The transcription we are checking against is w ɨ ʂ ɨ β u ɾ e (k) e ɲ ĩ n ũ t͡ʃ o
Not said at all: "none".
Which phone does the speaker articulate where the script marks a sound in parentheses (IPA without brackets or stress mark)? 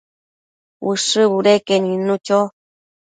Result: k